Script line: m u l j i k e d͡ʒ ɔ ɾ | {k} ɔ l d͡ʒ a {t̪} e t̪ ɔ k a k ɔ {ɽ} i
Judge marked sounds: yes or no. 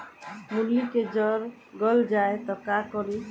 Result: no, no, no

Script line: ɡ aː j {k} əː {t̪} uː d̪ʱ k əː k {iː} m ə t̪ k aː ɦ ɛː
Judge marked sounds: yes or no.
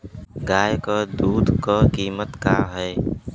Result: yes, no, yes

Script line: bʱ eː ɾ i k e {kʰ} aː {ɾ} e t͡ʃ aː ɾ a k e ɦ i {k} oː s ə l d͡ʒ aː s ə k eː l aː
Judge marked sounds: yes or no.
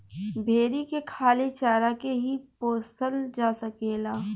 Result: yes, no, no

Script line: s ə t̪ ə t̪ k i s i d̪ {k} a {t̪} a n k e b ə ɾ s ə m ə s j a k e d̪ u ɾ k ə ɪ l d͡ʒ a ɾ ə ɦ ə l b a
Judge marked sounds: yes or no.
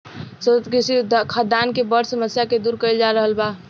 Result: no, no

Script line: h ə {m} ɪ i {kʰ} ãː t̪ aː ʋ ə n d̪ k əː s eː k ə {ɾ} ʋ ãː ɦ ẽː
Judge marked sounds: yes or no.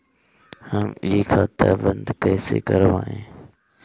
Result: yes, yes, yes

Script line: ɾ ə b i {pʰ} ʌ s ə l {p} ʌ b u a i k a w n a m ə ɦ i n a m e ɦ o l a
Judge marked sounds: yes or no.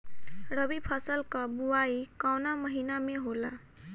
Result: yes, no

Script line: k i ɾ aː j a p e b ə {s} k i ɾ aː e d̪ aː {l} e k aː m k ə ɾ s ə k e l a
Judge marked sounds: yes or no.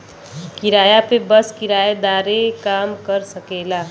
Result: yes, no

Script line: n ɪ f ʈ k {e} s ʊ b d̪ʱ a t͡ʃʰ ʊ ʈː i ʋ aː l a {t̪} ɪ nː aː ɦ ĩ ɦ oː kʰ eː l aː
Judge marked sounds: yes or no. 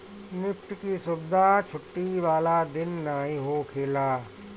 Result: no, no

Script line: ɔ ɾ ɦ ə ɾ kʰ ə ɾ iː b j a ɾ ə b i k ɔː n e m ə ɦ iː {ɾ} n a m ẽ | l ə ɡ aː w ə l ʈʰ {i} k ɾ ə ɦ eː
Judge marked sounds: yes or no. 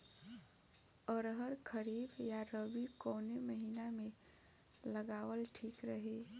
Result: no, no

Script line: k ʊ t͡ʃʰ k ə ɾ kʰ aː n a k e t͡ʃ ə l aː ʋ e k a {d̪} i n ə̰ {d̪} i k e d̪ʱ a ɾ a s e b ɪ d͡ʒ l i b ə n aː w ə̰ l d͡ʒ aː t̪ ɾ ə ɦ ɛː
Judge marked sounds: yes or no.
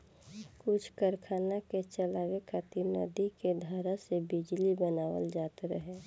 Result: no, yes

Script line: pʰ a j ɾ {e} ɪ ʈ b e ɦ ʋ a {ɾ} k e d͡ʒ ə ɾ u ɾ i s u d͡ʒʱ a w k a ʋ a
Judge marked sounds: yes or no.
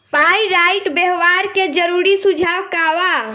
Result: no, yes

